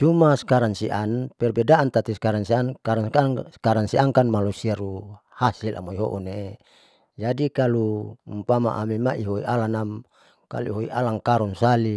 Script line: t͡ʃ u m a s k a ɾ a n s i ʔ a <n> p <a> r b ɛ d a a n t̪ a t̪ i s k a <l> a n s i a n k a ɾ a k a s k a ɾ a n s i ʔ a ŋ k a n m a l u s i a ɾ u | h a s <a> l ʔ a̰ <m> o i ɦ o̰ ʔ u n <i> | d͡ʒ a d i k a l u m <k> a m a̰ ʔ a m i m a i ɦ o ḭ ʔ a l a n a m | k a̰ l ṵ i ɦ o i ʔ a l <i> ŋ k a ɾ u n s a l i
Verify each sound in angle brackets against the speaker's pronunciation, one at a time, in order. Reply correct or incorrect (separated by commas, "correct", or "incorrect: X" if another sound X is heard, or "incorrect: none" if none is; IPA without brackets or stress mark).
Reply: correct, incorrect: ɛ, incorrect: ɾ, incorrect: i, correct, incorrect: e, incorrect: p, incorrect: a